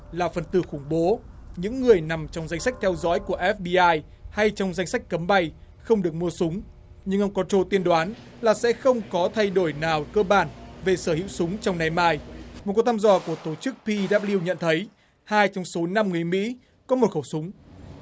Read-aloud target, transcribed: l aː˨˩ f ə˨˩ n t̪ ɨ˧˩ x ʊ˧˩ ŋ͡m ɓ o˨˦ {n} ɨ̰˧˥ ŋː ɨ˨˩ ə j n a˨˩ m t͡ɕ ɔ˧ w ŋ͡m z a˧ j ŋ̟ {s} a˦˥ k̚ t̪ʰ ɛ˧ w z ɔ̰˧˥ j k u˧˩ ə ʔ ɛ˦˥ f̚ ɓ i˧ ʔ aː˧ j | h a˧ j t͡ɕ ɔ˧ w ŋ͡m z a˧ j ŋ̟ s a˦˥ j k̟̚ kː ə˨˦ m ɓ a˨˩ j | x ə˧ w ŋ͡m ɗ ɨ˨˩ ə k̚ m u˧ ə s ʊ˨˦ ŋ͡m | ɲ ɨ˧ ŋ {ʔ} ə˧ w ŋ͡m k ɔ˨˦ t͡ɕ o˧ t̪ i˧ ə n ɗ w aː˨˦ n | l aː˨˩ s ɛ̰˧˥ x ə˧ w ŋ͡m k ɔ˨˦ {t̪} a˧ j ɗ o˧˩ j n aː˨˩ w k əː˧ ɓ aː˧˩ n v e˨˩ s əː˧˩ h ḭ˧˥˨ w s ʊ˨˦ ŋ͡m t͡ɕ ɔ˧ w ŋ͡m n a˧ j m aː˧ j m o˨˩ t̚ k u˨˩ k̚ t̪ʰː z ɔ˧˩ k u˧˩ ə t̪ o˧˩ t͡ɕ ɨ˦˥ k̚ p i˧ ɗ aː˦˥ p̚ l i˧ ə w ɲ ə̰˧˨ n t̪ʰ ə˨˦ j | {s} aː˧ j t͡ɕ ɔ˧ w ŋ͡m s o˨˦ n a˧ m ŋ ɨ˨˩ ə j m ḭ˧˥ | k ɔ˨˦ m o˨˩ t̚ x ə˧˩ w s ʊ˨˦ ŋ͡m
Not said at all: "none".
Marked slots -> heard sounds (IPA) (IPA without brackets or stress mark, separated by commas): ɲ, s, ʔ, t̪ʰ, h